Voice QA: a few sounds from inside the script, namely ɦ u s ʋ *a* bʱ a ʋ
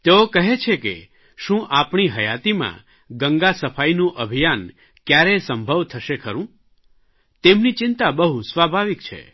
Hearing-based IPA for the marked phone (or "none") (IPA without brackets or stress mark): a